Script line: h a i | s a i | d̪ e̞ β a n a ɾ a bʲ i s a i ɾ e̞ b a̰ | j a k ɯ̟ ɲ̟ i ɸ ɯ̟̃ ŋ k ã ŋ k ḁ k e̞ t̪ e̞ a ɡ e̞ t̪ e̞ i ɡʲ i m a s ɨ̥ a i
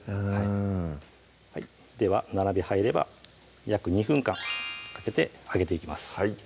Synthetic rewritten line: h a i | h a i | d̪ e̞ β a n a ɾ a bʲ i h a i ɾ e̞ b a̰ | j a k ɯ̟ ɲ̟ i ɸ ɯ̟̃ ŋ k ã ŋ k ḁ k e̞ t̪ e̞ a ɡ e̞ t̪ e̞ i kʲ i m a s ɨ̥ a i